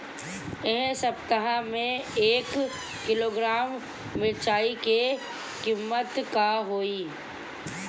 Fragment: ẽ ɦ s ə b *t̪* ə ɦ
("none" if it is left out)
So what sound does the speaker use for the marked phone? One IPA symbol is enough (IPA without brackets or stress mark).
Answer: t̪